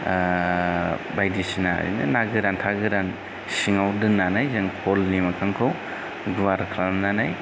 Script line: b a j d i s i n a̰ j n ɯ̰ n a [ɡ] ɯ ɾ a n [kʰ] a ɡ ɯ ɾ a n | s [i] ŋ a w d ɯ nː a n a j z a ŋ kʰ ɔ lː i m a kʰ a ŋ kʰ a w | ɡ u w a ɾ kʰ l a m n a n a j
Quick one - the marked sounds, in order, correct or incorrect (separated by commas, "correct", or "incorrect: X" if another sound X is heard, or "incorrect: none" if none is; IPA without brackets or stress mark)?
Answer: correct, incorrect: tʰ, correct